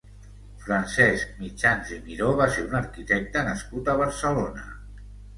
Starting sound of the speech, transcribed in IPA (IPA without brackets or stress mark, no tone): f